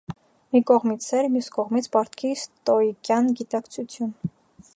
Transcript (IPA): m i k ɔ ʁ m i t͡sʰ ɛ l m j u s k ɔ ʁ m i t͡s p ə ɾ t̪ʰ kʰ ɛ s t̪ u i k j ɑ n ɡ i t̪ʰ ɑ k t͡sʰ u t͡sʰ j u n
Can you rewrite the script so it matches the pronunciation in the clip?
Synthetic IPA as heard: m i k ɔ ʁ m i t͡sʰ ɛ ɾ m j u s k ɔ ʁ m i t͡sʰ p ɑ ɾ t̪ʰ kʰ i s t̪ ɔ i k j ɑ n ɡ i t̪ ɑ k t͡sʰ u t͡sʰ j u n